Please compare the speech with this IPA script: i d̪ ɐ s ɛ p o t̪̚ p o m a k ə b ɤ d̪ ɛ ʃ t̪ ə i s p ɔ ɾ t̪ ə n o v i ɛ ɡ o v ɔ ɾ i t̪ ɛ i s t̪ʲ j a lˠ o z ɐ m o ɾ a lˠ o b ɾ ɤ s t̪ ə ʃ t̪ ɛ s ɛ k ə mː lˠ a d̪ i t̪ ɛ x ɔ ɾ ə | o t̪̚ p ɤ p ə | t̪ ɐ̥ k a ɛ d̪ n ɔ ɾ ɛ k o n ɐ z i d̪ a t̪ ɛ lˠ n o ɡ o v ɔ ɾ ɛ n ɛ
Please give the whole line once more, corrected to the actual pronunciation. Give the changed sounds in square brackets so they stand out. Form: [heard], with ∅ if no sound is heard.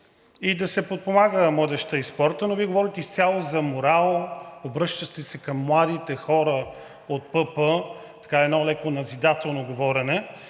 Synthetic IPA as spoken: i d̪ ɐ s ɛ p o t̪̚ p o m a [ɡ] ə [m] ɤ d̪ ɛ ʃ t̪ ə i s p ɔ ɾ t̪ ə n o v i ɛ ɡ o v ɔ ɾ i t̪ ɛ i s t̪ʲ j a lˠ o z ɐ m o ɾ a lˠ o b ɾ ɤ [ʃ] t̪ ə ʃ t̪ ɛ s ɛ k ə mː lˠ a d̪ i t̪ ɛ x ɔ ɾ ə | o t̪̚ p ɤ p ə | t̪ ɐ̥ k a ɛ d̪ n ɔ [l] ɛ k o n ɐ z i d̪ a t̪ ɛ lˠ n o ɡ o v ɔ ɾ ɛ n ɛ